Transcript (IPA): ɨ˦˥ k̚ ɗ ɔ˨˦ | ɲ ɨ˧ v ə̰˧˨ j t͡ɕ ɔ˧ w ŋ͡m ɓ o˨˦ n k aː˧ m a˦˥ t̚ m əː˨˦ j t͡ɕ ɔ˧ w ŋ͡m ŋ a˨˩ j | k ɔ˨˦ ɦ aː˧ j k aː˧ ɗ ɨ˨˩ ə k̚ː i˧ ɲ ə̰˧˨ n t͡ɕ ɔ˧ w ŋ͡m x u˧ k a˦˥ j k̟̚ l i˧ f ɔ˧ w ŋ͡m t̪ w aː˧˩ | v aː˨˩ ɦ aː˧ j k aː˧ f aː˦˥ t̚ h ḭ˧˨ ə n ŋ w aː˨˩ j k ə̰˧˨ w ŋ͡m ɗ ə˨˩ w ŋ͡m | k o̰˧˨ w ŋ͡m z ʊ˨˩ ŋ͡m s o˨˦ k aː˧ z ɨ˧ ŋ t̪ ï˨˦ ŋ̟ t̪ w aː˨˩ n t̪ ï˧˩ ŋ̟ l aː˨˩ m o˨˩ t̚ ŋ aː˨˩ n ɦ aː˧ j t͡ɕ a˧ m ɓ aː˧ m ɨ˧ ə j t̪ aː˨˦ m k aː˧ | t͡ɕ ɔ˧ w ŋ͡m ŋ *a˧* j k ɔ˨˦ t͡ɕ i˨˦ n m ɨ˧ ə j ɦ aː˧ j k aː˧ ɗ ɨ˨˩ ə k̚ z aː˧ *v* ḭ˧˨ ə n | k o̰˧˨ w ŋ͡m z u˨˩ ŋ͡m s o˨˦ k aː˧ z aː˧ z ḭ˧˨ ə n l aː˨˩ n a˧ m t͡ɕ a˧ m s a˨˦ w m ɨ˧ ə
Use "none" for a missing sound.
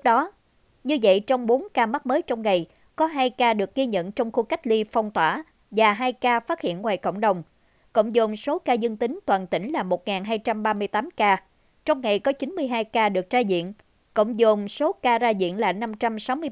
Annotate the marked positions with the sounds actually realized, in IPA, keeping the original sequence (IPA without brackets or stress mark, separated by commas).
a˨˩, z